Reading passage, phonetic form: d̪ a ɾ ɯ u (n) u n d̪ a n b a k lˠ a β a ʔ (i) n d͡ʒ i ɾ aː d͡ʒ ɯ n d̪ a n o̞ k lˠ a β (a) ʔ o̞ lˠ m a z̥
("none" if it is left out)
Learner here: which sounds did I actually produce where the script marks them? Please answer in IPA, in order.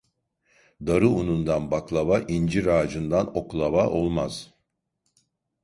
n, i, a

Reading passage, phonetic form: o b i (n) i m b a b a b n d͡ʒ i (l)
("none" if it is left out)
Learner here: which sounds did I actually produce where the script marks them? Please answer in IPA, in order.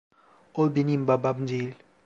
n, l

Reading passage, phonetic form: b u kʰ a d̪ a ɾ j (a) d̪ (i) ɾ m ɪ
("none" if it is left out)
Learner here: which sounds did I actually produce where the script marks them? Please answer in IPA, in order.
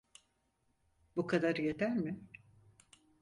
e, æ

